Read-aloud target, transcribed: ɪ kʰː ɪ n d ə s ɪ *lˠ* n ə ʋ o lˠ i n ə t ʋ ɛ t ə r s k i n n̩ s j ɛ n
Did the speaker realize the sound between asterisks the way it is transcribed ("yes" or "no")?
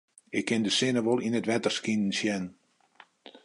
no